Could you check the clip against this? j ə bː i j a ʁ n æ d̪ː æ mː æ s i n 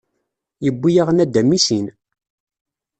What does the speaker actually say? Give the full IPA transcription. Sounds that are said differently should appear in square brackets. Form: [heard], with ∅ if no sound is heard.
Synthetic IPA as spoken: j ə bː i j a ʁ n æ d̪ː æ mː [i] s i n